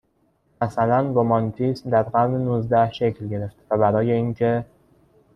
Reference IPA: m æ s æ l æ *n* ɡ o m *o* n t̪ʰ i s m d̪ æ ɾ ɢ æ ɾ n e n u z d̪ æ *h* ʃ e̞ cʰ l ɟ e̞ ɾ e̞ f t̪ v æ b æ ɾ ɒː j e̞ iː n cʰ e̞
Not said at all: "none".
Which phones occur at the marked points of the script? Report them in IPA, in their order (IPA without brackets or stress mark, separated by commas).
n, ɒ, h